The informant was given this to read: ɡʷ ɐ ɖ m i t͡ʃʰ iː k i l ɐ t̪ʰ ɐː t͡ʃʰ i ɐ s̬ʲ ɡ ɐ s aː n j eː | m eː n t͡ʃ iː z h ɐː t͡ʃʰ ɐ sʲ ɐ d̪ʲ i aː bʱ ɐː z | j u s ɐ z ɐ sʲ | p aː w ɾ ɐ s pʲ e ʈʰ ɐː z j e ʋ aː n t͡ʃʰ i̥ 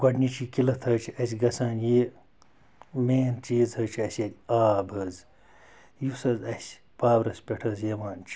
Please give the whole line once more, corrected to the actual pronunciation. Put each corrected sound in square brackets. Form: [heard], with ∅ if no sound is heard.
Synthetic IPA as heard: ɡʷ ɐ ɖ [n] i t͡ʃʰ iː k i l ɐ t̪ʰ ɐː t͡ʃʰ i ɐ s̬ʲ ɡ ɐ s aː n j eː | m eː n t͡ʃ iː z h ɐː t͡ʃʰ ɐ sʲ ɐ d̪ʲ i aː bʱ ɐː z | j u s ɐ z ɐ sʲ | p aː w ɾ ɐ s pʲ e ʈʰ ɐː z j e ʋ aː n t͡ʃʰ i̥